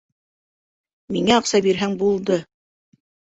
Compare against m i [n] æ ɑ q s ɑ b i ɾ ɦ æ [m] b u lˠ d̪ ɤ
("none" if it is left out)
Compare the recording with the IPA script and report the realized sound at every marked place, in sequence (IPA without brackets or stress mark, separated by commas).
ŋ, ŋ